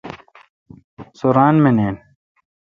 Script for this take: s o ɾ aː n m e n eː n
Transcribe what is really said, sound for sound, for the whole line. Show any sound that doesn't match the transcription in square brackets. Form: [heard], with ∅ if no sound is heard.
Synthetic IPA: s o ɾ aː n m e n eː n